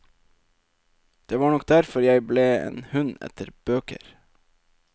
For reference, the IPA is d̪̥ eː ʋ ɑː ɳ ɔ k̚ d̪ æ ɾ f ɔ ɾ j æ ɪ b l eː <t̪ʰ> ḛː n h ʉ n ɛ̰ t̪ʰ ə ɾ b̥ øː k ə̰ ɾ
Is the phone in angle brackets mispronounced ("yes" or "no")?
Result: yes